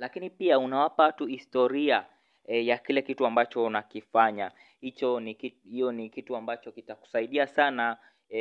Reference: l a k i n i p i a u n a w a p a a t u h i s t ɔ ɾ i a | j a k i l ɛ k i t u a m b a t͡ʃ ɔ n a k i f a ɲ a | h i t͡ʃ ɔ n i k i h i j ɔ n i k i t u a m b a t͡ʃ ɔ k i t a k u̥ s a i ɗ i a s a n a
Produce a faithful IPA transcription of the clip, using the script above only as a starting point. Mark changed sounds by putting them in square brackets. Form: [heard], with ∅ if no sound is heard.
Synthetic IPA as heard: l a k i n i p i a u n a w a p a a t u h i s t ɔ ɾ i a | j a k i l ɛ k i t u a m b a t͡ʃ ɔ n a k i f a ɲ a | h i t͡ʃ ɔ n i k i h i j ɔ n i k i t u a m b a t͡ʃ ɔ k i t a k u̥ s a i ɗ i a s a n a